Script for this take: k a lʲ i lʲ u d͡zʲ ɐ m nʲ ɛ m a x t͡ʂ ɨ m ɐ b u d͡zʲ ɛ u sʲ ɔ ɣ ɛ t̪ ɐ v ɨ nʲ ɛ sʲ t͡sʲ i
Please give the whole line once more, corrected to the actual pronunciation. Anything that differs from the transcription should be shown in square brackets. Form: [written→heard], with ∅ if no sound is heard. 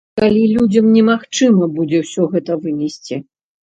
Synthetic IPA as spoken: k a lʲ i lʲ u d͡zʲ ɐ m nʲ ɛ m a x t͡ʂ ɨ m ɐ b u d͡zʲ ɛ [u→w] sʲ ɔ ɣ ɛ t̪ ɐ v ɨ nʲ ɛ sʲ t͡sʲ i